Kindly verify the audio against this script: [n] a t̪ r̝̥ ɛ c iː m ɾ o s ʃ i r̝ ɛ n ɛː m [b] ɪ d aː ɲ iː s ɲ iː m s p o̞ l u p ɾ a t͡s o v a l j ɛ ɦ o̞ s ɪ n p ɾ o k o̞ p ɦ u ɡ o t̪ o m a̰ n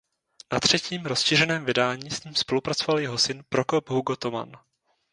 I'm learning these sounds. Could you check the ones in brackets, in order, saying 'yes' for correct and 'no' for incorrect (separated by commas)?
yes, no